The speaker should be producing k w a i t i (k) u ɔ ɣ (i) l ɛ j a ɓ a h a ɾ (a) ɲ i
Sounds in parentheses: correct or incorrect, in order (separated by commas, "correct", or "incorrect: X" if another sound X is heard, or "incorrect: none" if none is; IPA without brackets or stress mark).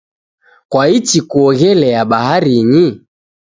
correct, incorrect: ɛ, incorrect: i